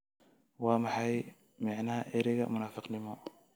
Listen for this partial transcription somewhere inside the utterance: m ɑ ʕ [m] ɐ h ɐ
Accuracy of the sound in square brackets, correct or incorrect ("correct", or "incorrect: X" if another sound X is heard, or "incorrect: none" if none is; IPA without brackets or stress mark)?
incorrect: n